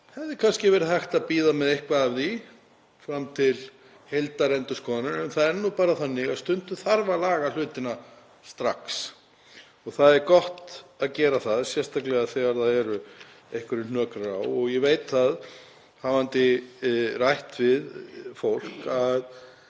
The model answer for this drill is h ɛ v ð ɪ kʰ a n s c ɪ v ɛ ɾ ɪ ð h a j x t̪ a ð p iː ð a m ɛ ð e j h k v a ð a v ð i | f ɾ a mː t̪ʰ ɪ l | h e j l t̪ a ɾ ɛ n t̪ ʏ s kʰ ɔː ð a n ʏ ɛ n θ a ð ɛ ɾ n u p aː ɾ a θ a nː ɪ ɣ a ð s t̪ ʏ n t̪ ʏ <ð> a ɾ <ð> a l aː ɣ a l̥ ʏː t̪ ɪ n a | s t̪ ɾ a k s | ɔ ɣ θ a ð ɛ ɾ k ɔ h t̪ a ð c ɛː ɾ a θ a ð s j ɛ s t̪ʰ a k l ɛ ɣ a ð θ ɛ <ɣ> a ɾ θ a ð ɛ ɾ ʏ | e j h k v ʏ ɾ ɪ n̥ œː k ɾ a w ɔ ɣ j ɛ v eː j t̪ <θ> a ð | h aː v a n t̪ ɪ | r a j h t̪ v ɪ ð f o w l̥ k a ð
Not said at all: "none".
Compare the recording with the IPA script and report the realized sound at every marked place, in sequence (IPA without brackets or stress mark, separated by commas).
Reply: θ, v, ɣ, θ